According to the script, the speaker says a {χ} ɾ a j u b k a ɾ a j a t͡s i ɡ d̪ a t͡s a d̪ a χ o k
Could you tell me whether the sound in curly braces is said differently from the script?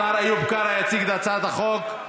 yes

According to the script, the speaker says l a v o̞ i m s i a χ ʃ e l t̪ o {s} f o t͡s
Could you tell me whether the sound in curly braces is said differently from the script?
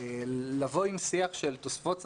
no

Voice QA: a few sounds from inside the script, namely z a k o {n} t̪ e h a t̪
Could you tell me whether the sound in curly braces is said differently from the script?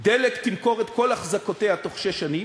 yes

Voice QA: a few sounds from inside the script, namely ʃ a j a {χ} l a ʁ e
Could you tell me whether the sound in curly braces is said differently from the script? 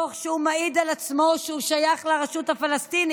no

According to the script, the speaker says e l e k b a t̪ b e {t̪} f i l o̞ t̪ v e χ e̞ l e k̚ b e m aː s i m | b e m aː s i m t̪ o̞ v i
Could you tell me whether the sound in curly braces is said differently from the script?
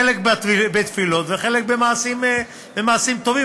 no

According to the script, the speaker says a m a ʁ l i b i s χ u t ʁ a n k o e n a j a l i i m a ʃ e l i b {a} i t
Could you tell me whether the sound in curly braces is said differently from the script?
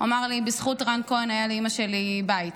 no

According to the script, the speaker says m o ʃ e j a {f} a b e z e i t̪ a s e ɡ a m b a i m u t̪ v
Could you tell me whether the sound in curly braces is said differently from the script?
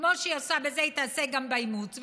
yes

